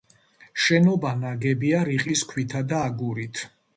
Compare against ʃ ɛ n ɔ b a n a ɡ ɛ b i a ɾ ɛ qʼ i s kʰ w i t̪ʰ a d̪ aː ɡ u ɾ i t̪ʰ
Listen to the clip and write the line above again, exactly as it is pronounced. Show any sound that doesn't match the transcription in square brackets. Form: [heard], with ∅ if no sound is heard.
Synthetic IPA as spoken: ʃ ɛ n ɔ b a n a ɡ ɛ b i a ɾ [i] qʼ i s kʰ w i t̪ʰ a d̪ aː ɡ u ɾ i t̪ʰ